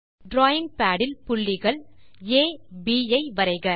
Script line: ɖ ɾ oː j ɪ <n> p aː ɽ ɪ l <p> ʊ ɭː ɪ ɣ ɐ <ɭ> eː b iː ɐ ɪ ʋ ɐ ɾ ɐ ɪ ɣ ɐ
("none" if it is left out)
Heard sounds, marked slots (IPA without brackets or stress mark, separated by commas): ŋ, p, ɭ